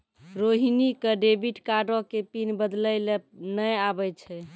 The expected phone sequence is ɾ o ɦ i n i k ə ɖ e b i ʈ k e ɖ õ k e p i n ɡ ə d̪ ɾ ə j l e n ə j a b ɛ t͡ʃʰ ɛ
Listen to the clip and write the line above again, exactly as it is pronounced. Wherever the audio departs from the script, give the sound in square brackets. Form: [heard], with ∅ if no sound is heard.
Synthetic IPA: ɾ o ɦ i n i k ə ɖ e b i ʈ k [a] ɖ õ k e p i n [b] ə d̪ [l] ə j l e n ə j a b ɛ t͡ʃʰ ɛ

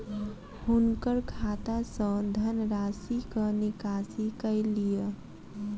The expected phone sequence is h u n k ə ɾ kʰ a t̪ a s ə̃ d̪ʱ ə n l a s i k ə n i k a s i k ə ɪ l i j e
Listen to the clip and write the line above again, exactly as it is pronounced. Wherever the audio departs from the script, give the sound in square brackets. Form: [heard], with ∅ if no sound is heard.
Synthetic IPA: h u n k ə ɾ kʰ a t̪ a s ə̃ d̪ʱ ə n [ɾ] a s i k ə n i k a s i k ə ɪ l i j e

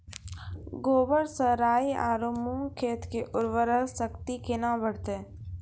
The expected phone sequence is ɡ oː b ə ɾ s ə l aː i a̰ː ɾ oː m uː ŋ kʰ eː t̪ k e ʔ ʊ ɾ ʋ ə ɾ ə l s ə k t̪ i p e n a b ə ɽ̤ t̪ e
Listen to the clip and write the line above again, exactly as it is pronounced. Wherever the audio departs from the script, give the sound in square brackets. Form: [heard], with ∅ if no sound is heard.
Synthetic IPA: ɡ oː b ə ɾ s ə [ɾ] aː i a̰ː ɾ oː m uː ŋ kʰ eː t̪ k e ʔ ʊ ɾ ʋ ə ɾ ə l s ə k t̪ i [k] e n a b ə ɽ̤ t̪ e

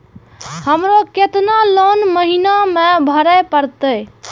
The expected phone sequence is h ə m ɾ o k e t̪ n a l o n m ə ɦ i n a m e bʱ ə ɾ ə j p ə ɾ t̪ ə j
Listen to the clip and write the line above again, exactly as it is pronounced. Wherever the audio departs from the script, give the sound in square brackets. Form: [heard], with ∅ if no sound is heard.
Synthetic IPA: h ə m ɾ o k e t̪ n a l o n m ə ɦ i n a m e bʱ ə ɾ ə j p ə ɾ t̪ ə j

